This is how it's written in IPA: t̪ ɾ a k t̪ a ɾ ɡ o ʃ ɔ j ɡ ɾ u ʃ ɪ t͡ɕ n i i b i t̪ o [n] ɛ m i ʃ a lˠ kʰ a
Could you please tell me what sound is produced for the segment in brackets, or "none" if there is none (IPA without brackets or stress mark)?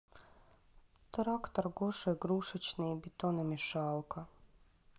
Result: n